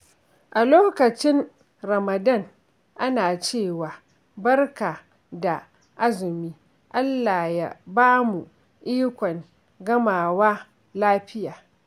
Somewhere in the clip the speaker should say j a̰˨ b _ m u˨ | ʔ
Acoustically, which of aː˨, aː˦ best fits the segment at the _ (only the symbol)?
aː˦